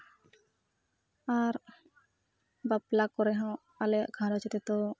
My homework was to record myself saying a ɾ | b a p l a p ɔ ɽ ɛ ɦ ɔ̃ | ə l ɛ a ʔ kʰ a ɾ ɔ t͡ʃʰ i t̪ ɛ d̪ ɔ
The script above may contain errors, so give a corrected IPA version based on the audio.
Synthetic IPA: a ɾ | b a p l a k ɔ ɾ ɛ ɦ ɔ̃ | a l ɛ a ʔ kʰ a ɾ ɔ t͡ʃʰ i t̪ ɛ t̪ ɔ